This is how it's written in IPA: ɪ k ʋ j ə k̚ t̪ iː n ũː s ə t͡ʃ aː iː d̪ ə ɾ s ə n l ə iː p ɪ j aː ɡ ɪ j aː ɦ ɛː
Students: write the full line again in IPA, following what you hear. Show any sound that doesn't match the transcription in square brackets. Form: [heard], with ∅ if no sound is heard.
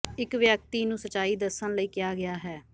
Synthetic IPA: ɪ k ʋ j ə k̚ t̪ iː n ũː s ə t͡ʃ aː iː d̪ ə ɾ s ə n l ə iː [k] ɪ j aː ɡ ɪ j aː ɦ ɛː